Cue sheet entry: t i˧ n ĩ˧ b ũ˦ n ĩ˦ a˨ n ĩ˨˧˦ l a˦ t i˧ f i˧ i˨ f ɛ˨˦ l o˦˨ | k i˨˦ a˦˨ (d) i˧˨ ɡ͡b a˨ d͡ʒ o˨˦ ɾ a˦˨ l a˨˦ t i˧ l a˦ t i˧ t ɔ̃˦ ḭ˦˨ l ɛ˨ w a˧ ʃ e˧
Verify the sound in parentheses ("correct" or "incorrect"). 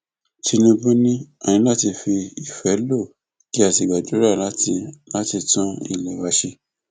incorrect